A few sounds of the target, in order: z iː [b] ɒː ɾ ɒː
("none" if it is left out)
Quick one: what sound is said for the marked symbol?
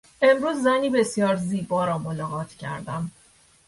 b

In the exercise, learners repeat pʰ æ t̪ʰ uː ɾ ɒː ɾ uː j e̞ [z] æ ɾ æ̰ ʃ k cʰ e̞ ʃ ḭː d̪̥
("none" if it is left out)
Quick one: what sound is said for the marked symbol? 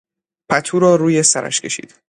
s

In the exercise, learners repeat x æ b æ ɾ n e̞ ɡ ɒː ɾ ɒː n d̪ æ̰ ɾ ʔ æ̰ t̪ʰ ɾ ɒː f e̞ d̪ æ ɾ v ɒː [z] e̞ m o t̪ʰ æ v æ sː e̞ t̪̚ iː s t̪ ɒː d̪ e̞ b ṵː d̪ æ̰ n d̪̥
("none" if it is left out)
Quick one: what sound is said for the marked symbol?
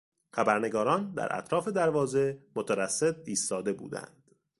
z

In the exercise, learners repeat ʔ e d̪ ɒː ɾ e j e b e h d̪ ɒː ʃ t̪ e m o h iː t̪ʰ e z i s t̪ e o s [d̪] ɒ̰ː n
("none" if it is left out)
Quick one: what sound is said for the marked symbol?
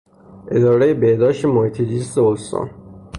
t̪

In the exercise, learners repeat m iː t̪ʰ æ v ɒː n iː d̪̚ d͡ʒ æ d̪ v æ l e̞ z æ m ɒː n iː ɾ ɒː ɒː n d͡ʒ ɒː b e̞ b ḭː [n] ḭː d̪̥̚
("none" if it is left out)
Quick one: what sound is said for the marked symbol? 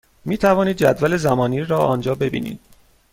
n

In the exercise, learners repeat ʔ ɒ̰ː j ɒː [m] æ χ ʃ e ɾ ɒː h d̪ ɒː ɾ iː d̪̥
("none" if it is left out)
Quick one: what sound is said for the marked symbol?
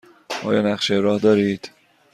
n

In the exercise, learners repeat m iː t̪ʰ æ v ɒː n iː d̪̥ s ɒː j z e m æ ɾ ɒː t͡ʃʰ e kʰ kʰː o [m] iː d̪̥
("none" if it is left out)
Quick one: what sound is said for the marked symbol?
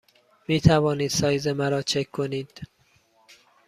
n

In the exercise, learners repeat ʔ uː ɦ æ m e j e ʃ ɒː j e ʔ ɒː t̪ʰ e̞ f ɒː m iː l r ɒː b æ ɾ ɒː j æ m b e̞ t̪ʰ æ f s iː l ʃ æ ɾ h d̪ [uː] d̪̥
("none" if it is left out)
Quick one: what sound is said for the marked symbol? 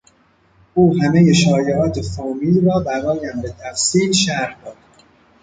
ɒː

